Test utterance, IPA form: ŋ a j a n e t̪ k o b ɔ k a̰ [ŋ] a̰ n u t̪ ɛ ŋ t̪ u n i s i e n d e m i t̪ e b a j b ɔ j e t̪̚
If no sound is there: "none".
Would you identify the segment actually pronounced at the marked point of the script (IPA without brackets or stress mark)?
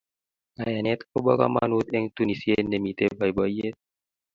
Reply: m